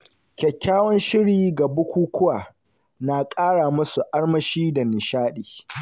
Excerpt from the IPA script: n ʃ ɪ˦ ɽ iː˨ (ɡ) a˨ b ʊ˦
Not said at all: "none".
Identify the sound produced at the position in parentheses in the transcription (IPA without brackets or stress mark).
ɡ